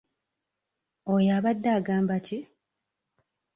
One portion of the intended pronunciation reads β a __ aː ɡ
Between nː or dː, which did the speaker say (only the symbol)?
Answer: dː